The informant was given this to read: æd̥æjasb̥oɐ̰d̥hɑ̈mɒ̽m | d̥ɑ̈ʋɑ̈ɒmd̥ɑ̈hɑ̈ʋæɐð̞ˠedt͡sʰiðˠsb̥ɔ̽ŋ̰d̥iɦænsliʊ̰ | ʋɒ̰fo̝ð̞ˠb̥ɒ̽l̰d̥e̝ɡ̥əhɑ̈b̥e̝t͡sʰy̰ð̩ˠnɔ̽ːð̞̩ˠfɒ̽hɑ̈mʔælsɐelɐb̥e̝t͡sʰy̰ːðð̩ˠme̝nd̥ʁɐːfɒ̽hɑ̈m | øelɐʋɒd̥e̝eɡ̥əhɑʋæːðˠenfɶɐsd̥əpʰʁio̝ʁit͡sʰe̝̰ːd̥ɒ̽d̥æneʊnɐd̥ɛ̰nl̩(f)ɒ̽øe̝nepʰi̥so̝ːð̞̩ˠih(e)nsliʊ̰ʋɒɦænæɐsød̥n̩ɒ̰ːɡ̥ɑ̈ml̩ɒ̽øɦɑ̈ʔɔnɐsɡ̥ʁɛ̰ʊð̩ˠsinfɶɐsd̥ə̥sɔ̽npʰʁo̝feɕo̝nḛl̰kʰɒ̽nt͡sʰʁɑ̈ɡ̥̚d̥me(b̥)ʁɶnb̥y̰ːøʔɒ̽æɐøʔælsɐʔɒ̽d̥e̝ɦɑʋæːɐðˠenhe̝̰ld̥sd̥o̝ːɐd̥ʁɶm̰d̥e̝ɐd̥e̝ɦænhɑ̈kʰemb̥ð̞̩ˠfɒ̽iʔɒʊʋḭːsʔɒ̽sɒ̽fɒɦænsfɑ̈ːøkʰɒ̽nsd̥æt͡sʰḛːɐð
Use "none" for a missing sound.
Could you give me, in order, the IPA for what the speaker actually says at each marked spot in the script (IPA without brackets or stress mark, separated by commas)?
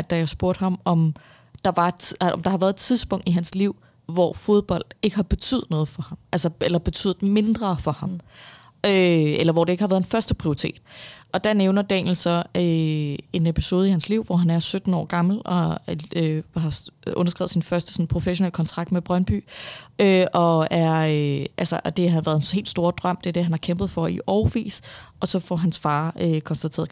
s, æ, b̥